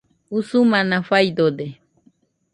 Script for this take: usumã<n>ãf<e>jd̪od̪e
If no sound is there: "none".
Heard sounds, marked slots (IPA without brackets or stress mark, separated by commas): n, a